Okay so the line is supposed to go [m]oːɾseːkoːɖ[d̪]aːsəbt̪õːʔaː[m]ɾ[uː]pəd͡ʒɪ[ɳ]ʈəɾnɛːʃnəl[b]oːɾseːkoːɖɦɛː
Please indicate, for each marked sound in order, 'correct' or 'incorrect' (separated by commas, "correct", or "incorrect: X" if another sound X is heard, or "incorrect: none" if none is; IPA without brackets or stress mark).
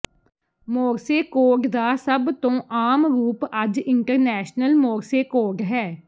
correct, correct, correct, correct, correct, incorrect: m